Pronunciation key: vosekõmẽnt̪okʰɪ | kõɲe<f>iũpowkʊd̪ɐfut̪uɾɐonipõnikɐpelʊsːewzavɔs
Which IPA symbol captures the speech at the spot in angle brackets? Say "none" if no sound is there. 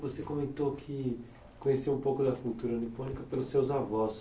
s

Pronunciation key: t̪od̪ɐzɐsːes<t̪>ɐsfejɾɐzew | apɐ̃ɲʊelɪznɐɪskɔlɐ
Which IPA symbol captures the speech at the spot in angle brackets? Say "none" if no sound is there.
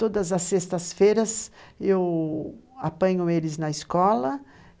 t̪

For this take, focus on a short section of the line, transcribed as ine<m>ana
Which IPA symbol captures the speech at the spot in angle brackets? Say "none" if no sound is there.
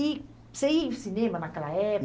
m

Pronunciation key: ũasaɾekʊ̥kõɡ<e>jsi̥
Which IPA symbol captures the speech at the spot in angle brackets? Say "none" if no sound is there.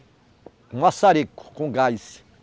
a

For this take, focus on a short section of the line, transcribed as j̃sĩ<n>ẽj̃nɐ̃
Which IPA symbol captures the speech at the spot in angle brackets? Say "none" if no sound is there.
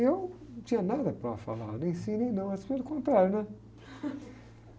n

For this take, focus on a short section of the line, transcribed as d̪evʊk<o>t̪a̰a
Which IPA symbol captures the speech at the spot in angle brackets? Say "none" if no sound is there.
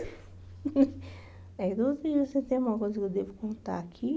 õ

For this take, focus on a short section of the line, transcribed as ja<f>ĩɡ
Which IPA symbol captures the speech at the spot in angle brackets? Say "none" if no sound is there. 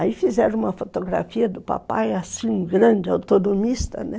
s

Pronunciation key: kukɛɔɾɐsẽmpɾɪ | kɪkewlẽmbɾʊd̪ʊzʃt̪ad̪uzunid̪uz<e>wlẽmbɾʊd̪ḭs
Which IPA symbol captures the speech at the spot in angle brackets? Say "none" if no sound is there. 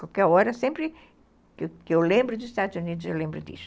e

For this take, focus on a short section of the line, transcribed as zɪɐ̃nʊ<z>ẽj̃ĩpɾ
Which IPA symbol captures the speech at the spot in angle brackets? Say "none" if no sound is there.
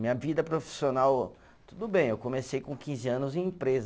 z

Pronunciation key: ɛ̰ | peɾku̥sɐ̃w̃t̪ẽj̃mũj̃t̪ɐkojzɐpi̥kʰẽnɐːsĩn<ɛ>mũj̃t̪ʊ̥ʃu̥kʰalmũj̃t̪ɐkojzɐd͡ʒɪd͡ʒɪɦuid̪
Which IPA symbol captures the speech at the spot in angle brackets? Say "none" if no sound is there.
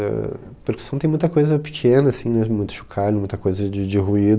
ɛ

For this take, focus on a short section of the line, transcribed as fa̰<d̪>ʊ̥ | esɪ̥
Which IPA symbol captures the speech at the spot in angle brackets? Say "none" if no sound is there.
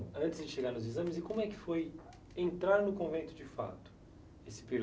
t̪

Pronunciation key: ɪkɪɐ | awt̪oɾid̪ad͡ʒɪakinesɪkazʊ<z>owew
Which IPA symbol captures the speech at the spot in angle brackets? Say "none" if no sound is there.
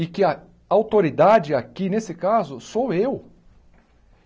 s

